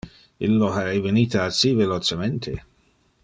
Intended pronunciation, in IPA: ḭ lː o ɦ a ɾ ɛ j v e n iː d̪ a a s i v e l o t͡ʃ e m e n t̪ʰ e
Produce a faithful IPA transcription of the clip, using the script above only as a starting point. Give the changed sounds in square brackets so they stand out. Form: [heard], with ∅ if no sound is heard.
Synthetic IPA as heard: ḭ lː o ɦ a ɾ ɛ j v e n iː [t̪] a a s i v e l o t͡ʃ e m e n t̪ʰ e

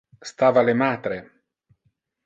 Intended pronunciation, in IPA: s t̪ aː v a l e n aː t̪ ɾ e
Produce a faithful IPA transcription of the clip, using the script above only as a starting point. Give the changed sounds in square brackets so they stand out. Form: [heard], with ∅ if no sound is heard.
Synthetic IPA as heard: s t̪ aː v a l e [m] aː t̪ ɾ e

